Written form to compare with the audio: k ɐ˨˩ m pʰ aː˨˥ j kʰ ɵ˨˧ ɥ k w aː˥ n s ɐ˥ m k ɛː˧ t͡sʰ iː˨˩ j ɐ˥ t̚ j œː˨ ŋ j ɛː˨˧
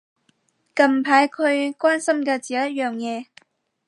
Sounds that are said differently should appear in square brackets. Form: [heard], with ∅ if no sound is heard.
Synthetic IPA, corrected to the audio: k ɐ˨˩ m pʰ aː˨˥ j kʰ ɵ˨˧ ɥ k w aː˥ n s ɐ˥ m k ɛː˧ [t͡s] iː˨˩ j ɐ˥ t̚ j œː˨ ŋ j ɛː˨˧